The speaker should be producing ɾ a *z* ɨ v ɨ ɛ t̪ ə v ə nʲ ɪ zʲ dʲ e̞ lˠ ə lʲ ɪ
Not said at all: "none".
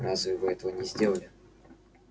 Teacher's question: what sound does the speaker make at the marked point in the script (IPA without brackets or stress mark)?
z